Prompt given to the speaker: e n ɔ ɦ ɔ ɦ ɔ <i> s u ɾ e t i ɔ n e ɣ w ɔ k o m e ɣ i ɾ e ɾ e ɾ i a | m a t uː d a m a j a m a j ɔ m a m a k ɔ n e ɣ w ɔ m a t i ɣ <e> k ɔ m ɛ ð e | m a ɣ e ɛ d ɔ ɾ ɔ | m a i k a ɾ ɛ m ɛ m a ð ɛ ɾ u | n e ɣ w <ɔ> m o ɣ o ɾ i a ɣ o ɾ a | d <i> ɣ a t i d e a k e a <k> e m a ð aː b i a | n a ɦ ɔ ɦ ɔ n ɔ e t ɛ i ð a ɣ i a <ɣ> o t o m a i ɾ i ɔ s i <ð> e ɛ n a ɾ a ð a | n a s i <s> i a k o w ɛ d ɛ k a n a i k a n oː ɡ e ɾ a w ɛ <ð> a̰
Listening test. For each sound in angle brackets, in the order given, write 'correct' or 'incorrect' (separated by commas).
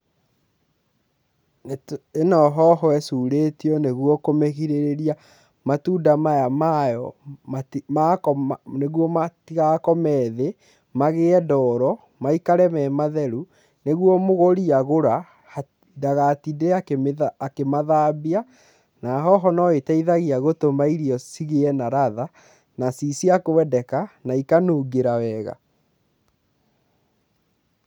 incorrect, incorrect, correct, incorrect, correct, correct, incorrect, correct, incorrect